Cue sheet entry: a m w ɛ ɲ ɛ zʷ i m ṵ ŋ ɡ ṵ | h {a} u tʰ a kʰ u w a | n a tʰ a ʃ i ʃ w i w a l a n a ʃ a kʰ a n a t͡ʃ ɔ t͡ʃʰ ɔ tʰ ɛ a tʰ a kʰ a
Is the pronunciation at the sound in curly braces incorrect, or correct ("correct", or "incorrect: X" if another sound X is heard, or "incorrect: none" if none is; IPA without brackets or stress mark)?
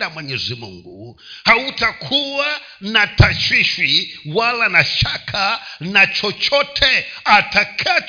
correct